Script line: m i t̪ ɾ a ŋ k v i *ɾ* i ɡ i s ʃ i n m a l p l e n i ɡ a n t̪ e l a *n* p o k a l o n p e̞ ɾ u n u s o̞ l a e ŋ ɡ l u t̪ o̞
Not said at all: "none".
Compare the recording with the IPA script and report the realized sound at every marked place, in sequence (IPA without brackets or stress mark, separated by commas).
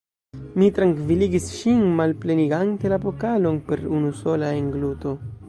l, none